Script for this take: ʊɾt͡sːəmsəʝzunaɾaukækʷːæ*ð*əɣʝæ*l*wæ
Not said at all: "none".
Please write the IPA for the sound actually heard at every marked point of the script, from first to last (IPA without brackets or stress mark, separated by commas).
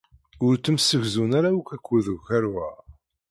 ð, ɾ